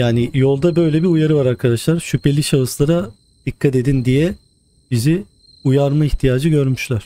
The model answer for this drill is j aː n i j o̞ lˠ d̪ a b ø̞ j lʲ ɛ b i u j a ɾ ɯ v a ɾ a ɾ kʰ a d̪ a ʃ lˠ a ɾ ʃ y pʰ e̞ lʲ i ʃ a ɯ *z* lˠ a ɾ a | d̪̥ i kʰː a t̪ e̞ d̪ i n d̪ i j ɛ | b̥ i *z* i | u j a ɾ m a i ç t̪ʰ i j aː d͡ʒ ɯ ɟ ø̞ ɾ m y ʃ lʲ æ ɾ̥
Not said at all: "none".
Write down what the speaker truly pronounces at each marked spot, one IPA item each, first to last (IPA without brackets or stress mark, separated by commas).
s, z